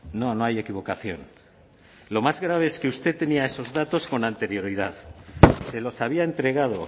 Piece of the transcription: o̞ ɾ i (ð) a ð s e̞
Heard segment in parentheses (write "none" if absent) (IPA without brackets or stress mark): ð